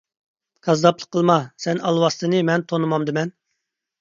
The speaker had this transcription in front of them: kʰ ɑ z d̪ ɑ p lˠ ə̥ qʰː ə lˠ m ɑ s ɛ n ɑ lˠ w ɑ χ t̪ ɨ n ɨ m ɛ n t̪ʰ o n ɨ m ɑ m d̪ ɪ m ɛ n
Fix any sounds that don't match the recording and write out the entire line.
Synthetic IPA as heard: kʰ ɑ z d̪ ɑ p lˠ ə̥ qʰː ə lˠ m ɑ s ɛ n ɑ lˠ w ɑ s t̪ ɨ n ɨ m ɛ n t̪ʰ o n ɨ m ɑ m d̪ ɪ m ɛ n